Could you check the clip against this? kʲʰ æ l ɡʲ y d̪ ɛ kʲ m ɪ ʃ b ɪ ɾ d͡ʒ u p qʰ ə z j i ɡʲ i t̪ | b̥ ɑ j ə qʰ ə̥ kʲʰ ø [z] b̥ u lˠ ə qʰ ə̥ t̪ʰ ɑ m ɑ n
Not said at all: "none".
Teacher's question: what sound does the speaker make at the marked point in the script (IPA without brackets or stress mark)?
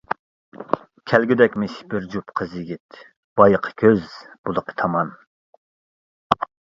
z